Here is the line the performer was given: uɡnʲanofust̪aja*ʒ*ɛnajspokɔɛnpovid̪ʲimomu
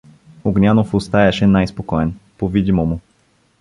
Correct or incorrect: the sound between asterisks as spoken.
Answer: incorrect: ʃ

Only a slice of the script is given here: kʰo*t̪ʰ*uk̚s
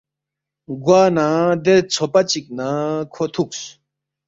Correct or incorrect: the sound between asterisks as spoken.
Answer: correct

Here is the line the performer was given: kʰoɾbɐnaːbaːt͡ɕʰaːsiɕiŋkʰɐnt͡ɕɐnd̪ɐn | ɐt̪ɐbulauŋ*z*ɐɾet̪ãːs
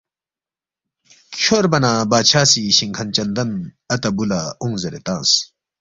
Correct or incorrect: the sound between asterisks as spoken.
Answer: correct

